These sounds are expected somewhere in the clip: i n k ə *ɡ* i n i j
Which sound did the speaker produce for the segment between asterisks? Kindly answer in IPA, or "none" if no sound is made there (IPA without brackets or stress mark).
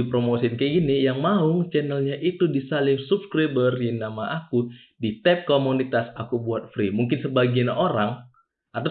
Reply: ɡ